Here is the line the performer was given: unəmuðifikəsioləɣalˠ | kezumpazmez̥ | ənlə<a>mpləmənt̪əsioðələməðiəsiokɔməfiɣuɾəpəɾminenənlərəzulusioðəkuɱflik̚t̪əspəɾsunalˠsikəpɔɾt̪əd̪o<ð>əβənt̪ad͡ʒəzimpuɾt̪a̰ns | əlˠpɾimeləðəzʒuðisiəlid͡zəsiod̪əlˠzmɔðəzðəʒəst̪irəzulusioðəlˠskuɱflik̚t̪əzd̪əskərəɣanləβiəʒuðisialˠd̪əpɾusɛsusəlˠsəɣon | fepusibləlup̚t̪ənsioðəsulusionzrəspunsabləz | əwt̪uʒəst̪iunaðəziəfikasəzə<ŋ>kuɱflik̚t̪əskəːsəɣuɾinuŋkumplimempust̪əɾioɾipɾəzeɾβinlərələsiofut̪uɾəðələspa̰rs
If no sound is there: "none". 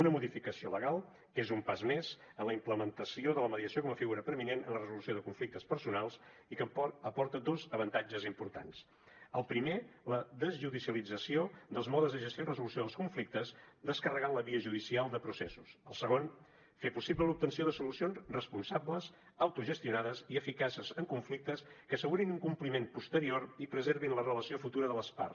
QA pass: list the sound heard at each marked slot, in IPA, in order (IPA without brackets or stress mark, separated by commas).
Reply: i, z, ŋ